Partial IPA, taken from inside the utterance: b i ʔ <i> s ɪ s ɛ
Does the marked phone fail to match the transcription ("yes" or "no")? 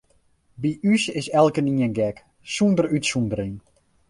yes